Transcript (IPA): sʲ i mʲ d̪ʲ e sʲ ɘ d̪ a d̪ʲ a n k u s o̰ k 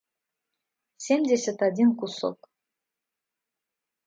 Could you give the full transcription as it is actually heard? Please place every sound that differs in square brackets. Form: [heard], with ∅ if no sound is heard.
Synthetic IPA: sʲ [e] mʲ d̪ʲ e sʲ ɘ [t̪] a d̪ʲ [i] n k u s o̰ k